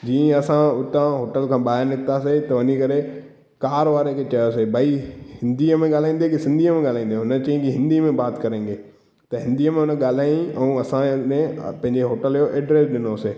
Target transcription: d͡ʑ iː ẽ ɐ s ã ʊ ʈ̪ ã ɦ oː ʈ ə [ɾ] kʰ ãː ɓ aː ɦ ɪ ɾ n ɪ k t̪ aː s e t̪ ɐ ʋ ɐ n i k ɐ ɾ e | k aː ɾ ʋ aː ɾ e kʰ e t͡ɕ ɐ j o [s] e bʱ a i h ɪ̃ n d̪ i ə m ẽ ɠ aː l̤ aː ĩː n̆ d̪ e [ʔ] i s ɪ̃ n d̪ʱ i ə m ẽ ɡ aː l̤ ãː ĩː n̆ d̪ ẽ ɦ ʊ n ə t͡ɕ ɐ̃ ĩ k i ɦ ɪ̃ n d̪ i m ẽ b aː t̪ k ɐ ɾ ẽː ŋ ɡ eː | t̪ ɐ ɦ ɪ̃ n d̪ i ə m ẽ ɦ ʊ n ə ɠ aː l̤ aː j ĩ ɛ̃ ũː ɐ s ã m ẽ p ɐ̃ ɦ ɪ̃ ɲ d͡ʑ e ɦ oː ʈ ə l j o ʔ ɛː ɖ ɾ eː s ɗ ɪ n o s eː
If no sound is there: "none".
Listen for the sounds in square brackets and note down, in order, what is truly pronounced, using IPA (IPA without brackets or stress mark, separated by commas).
l, s, k